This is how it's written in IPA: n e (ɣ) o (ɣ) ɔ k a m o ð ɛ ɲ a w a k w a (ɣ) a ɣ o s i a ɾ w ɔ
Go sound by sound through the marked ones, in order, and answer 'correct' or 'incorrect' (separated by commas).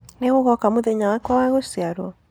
correct, correct, incorrect